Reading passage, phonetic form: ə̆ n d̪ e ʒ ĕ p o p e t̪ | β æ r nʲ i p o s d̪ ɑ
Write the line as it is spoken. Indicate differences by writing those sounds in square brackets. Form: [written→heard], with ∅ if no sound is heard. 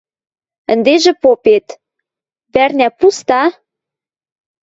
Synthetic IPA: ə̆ n d̪ e ʒ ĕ p o p e t̪ | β æ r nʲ [i→æ] p [o→u] s [d̪→t̪] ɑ